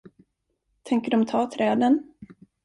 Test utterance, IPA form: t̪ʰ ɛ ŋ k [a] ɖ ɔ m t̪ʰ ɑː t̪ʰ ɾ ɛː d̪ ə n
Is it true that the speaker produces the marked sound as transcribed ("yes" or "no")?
no